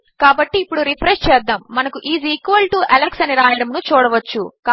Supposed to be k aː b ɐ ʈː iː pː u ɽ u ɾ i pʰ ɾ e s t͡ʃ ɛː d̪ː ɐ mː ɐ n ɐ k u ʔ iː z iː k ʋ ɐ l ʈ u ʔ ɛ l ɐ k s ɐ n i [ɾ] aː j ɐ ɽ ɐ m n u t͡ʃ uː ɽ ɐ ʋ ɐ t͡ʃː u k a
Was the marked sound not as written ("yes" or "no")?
no